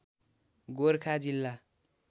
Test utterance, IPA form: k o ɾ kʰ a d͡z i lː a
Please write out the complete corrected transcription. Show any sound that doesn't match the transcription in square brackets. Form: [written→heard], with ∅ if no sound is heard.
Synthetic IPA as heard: [k→ɡ] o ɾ kʰ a d͡z i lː a